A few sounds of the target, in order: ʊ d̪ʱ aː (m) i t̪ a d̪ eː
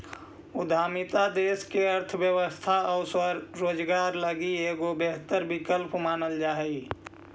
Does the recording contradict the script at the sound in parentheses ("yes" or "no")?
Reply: no